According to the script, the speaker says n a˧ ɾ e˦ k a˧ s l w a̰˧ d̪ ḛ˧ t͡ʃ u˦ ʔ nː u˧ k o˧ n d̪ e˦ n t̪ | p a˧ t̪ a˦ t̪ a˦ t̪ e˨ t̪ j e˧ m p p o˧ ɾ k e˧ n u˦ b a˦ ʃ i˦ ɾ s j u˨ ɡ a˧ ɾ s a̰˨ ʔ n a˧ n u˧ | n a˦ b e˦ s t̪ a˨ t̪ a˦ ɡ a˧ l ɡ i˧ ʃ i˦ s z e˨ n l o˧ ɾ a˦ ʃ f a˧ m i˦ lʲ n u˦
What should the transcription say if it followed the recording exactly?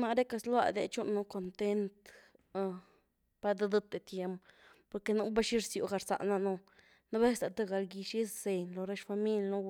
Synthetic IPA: n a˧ ɾ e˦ k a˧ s l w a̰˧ d̪ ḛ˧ t͡ʃ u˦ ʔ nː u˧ k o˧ n t̪ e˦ n t̪ | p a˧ d̪ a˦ d̪ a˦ t̪ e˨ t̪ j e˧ m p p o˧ ɾ k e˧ n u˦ b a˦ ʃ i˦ ɾ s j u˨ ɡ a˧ ɾ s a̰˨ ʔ n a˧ n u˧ | n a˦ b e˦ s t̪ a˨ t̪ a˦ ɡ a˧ l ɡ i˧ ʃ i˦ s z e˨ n l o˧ ɾ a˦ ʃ f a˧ m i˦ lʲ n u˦

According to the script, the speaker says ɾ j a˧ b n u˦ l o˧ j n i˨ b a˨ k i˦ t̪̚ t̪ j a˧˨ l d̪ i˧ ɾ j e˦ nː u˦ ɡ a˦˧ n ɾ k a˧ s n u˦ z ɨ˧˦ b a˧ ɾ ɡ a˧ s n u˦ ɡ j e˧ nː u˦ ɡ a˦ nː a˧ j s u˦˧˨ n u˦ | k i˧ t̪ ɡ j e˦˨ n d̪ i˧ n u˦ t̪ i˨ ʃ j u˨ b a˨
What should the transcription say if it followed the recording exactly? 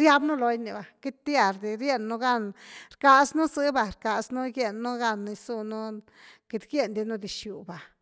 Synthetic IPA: ɾ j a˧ b n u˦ l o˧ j n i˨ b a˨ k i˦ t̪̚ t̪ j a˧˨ ɾ d̪ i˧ ɾ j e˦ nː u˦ ɡ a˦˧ n ɾ k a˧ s n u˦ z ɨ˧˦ b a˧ ɾ k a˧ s n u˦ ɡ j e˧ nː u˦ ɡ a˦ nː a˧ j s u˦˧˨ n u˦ | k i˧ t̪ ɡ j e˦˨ n d̪ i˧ n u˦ d̪ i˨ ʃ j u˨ b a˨

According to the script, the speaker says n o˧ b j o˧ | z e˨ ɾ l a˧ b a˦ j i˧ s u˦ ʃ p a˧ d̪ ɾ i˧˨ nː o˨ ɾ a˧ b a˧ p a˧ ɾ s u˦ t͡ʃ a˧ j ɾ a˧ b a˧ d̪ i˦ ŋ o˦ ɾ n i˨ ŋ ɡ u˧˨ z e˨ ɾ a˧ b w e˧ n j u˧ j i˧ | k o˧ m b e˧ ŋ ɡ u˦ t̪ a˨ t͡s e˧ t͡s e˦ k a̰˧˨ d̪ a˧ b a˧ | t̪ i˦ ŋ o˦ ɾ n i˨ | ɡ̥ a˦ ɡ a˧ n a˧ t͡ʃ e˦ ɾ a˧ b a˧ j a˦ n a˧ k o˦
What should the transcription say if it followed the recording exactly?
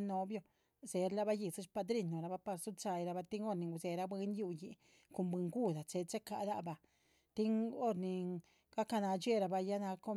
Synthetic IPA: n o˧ b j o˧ | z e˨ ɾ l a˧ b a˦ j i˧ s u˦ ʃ p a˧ d̪ ɾ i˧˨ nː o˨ ɾ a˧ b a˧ p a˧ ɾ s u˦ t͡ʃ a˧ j ɾ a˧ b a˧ t̪ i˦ ŋ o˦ ɾ n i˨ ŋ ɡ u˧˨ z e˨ ɾ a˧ b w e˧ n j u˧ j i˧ | k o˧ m b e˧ ŋ ɡ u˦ d̪ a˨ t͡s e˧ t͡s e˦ k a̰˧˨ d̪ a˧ b a˧ | t̪ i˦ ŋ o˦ ɾ n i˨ | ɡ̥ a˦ k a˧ n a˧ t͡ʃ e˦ ɾ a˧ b a˧ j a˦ n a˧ k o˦

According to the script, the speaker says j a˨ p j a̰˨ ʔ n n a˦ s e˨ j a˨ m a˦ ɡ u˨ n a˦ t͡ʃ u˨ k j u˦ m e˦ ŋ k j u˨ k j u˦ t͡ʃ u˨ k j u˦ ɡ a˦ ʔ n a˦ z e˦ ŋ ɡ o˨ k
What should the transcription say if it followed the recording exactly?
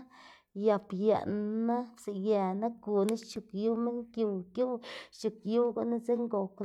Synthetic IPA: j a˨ p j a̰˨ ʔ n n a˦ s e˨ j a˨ n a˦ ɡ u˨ n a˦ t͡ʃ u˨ k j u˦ m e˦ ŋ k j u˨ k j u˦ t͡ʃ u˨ k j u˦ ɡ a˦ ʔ n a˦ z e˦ ŋ ɡ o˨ k

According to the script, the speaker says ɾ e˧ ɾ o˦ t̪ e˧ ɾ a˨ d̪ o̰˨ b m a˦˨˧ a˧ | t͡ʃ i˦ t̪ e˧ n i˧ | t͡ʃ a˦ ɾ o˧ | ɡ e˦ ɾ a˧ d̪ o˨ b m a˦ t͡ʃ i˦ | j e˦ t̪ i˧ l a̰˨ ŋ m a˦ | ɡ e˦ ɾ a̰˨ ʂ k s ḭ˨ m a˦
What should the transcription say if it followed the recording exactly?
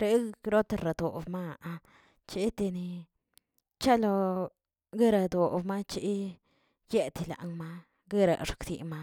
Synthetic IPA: ɾ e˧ ɾ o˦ t̪ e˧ ɾ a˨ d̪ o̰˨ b m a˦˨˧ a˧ | t͡ʃ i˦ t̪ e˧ n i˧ | t͡ʃ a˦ l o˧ | ɡ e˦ ɾ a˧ d̪ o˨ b m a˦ t͡ʃ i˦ | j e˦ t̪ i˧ l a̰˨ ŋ m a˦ | ɡ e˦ ɾ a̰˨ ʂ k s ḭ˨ m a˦

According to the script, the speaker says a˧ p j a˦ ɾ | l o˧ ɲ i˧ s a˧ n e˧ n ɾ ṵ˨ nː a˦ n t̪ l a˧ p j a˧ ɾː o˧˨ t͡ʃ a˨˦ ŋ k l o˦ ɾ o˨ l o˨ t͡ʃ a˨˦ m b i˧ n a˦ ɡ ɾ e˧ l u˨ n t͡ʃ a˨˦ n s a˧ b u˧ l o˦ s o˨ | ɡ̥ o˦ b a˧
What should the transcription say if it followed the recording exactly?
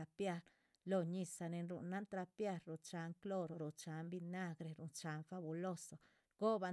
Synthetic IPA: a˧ p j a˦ ɾ | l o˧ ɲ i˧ s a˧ n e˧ n ɾ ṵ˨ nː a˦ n t̪ ɾ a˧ p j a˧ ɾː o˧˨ t͡ʃ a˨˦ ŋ k l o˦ ɾ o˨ ɾ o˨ t͡ʃ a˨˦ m b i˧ n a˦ ɡ ɾ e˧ ɾ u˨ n t͡ʃ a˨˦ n f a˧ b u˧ l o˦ s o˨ | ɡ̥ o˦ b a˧

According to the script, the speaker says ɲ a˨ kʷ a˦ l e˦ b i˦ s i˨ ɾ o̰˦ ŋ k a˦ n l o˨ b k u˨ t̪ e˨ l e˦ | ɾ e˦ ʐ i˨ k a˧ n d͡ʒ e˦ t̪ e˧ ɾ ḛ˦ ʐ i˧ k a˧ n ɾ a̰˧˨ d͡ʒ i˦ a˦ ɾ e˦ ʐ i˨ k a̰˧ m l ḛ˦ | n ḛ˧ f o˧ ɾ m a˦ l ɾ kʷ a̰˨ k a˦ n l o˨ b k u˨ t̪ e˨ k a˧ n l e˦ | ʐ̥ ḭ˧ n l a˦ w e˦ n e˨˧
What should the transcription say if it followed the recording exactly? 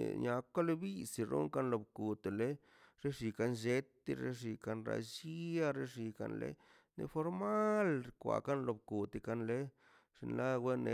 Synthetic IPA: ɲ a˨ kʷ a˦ l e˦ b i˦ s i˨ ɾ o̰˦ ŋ k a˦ n l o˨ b k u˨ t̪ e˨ l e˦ | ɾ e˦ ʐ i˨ k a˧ n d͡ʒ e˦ t̪ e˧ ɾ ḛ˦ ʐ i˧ k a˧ n ɾ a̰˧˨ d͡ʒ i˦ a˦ ɾ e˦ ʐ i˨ k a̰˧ n l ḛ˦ | n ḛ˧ f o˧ ɾ m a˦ l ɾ kʷ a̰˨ k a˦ n l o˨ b k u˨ t̪ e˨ k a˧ n l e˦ | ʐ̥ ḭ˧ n l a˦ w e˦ n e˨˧

